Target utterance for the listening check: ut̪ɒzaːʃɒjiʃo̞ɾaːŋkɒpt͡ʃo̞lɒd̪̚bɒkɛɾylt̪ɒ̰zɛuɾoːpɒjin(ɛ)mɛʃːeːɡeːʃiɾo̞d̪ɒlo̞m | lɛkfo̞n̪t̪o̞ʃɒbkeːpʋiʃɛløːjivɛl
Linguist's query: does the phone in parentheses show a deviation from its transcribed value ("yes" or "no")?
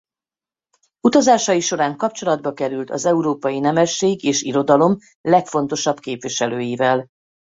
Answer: no